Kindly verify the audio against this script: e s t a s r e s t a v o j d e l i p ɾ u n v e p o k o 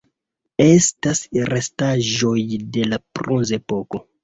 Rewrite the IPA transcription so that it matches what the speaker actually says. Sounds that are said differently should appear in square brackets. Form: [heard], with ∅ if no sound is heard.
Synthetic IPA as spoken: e s t a s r e s t a [ʒ] o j d e l [a] p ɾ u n [z] e p o k o